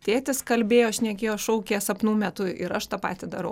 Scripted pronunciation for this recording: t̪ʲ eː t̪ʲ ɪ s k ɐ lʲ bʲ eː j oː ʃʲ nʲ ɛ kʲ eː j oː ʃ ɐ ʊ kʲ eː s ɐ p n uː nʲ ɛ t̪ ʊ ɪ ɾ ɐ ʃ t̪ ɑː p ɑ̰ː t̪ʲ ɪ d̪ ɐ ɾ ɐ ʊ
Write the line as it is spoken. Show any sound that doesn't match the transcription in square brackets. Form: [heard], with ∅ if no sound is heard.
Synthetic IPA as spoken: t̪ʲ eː t̪ʲ ɪ s k ɐ lʲ bʲ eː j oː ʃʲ nʲ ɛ kʲ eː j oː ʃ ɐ ʊ kʲ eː s ɐ p n uː [mʲ] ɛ t̪ ʊ ɪ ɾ ɐ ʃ t̪ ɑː p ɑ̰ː t̪ʲ ɪ d̪ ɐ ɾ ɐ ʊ

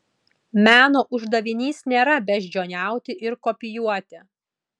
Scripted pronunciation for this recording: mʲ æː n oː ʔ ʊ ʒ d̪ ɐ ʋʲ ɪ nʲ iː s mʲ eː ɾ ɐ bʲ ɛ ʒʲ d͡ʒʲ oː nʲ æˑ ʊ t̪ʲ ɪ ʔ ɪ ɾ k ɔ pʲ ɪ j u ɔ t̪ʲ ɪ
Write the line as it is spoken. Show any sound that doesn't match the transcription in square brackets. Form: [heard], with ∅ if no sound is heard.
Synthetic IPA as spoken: mʲ æː n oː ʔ ʊ ʒ d̪ ɐ ʋʲ ɪ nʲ iː s [nʲ] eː ɾ ɐ bʲ ɛ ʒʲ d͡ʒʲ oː nʲ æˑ ʊ t̪ʲ ɪ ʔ ɪ ɾ k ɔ pʲ ɪ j u ɔ t̪ʲ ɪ

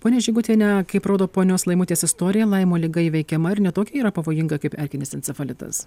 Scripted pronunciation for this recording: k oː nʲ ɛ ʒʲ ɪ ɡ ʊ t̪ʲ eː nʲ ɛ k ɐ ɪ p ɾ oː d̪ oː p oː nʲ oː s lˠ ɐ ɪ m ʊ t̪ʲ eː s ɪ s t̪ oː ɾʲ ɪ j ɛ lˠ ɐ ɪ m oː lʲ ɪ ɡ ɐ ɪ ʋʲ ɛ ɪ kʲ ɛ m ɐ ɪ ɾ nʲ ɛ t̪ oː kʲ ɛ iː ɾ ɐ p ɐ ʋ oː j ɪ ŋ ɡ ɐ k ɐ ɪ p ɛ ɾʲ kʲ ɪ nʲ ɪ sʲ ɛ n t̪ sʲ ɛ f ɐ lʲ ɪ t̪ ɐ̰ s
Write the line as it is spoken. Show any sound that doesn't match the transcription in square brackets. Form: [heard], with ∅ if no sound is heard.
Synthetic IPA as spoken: [p] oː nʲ ɛ ʒʲ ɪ ɡ ʊ t̪ʲ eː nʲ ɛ k ɐ ɪ p ɾ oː d̪ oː p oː nʲ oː s lˠ ɐ ɪ m ʊ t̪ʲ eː s ɪ s t̪ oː ɾʲ ɪ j ɛ lˠ ɐ ɪ m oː lʲ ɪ ɡ ɐ ɪ ʋʲ ɛ ɪ kʲ ɛ m ɐ ɪ ɾ nʲ ɛ t̪ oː kʲ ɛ iː ɾ ɐ p ɐ ʋ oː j ɪ ŋ ɡ ɐ k ɐ ɪ p ɛ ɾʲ kʲ ɪ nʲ ɪ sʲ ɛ n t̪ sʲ ɛ f ɐ lʲ ɪ t̪ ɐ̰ s

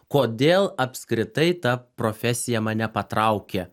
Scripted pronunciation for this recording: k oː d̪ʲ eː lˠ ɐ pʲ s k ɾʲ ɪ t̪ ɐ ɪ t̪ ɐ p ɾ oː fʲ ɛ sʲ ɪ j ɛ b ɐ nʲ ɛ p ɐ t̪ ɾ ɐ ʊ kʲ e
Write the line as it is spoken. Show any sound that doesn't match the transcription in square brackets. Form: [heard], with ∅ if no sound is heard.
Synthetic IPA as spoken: k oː d̪ʲ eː lˠ ɐ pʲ s k ɾʲ ɪ t̪ ɐ ɪ t̪ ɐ p ɾ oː fʲ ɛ sʲ ɪ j ɛ [m] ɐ nʲ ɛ p ɐ t̪ ɾ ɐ ʊ kʲ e

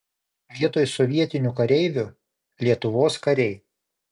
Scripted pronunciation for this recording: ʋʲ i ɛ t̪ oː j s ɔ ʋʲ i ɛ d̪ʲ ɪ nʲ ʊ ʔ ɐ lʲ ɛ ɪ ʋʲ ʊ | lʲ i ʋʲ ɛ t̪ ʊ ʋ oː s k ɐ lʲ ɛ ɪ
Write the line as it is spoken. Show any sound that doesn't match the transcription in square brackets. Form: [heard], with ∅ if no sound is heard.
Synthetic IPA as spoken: ʋʲ i ɛ t̪ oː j s ɔ ʋʲ i ɛ [t̪ʲ] ɪ nʲ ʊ [k] ɐ [ɾʲ] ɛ ɪ ʋʲ ʊ | lʲ i [∅] ɛ t̪ ʊ ʋ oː s k ɐ [ɾʲ] ɛ ɪ

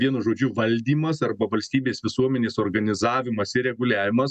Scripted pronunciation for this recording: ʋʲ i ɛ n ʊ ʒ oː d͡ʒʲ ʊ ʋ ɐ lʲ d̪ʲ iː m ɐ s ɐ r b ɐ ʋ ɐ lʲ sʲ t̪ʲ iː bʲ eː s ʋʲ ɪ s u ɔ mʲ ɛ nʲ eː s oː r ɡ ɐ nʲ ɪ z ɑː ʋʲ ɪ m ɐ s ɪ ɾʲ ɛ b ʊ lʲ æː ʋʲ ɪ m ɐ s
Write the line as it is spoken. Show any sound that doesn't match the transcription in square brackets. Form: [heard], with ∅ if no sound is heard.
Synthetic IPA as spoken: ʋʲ i ɛ n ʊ ʒ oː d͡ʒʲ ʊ ʋ ɐ lʲ d̪ʲ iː m ɐ s ɐ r b ɐ ʋ ɐ lʲ sʲ t̪ʲ iː bʲ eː s ʋʲ ɪ s u ɔ mʲ ɛ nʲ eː s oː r ɡ ɐ nʲ ɪ z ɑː ʋʲ ɪ m ɐ s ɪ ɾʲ ɛ [ɡ] ʊ lʲ æː ʋʲ ɪ m ɐ s

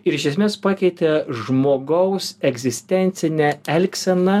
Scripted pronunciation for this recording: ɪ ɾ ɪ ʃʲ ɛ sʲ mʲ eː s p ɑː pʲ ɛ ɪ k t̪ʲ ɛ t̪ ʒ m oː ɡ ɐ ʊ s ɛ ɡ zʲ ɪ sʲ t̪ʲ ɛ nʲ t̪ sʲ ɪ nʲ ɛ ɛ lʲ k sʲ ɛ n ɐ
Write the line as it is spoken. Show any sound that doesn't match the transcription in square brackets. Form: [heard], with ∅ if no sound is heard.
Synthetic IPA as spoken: ɪ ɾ ɪ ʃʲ ɛ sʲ mʲ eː s p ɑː [kʲ] ɛ ɪ [∅] t̪ʲ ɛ [∅] ʒ m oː ɡ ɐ ʊ s ɛ ɡ zʲ ɪ sʲ t̪ʲ ɛ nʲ t̪ sʲ ɪ nʲ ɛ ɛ lʲ k sʲ ɛ n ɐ

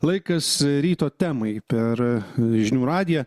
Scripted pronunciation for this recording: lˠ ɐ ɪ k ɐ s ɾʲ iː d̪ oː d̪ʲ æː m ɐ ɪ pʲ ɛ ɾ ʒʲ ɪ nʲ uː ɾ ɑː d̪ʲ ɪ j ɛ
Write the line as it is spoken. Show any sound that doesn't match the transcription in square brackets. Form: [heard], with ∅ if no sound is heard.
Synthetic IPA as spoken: lˠ ɐ ɪ k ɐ s ɾʲ iː [t̪] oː [t̪ʲ] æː m ɐ ɪ pʲ ɛ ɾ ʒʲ ɪ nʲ uː ɾ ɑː d̪ʲ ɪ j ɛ

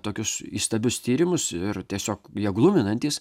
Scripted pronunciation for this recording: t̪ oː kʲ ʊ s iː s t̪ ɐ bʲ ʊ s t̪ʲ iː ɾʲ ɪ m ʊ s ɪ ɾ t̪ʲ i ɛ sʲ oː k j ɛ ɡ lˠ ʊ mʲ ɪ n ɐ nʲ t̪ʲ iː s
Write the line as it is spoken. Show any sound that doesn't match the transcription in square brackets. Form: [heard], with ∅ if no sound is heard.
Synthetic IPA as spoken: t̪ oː kʲ ʊ s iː s t̪ ɐ bʲ ʊ s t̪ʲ iː ɾʲ ɪ m ʊ s ɪ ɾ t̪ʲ i ɛ sʲ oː k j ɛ ɡ lˠ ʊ mʲ ɪ n ɐ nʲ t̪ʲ iː s

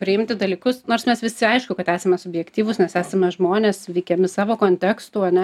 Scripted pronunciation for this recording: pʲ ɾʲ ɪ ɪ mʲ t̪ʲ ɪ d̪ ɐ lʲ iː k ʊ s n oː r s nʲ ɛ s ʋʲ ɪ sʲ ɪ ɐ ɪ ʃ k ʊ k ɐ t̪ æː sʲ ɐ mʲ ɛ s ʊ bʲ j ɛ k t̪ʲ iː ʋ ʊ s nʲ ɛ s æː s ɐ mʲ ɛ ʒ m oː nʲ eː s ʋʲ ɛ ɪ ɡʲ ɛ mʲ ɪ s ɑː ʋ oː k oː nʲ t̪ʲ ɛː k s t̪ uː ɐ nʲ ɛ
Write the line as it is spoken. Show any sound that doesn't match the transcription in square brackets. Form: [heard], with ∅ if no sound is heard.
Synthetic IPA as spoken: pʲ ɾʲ ɪ ɪ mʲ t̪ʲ ɪ d̪ ɐ lʲ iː k ʊ s n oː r s [mʲ] ɛ s ʋʲ ɪ sʲ ɪ ɐ ɪ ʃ k ʊ k ɐ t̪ æː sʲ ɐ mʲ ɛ s ʊ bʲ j ɛ k t̪ʲ iː ʋ ʊ s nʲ ɛ s æː s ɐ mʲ ɛ ʒ m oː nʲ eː s ʋʲ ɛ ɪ [kʲ] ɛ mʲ ɪ s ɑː ʋ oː k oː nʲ t̪ʲ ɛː k s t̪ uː ɐ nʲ ɛ

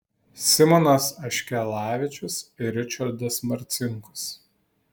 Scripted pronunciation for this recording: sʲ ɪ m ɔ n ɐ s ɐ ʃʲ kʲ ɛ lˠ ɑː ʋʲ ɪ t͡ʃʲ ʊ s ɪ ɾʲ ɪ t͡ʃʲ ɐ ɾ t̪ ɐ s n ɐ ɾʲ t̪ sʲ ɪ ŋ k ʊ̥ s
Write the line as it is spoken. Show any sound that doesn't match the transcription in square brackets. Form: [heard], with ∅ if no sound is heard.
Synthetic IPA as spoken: sʲ ɪ m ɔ n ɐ s ɐ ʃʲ kʲ ɛ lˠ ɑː ʋʲ ɪ t͡ʃʲ ʊ s ɪ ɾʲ ɪ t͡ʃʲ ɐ ɾ [d̪] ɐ s [m] ɐ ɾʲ t̪ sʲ ɪ ŋ k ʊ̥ s

